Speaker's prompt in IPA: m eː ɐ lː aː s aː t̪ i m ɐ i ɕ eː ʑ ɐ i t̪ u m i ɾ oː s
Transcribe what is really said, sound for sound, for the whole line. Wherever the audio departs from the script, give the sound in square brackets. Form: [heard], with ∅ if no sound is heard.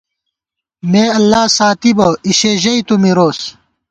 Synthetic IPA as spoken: m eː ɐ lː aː s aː t̪ i [b] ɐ i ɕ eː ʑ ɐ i t̪ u m i ɾ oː s